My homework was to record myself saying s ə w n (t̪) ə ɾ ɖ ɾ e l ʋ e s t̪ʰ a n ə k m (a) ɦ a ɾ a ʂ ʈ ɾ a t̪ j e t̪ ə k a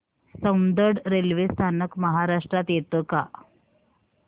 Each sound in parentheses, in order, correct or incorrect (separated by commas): incorrect, incorrect